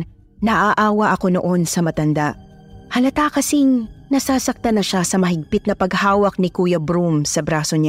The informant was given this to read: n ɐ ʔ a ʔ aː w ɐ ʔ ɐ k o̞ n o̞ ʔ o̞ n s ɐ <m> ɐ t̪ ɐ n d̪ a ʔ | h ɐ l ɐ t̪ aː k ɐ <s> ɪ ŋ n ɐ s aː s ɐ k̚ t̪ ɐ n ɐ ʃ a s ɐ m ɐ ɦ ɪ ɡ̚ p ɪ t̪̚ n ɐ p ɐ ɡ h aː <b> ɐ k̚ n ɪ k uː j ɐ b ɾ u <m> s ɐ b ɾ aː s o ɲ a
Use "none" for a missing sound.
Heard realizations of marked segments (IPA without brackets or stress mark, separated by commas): m, s, w, m